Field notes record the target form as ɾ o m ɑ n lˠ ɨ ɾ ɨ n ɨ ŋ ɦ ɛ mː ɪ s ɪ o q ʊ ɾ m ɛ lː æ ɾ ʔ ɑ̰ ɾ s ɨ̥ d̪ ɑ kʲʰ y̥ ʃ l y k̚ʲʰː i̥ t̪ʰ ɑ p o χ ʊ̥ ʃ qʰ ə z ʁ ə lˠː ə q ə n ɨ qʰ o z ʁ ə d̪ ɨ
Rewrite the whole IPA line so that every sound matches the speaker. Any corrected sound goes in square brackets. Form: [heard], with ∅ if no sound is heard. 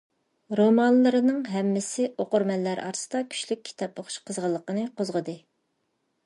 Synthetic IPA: ɾ o m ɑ n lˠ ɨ ɾ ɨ n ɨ ŋ ɦ ɛ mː ɪ s ɪ o q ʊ ɾ m ɛ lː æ ɾ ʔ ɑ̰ ɾ s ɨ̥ d̪ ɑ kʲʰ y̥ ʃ l y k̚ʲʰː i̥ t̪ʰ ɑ p o χ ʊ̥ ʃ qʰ ə z ʁ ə lˠː ə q ə n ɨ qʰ o z ʁ ə d̪ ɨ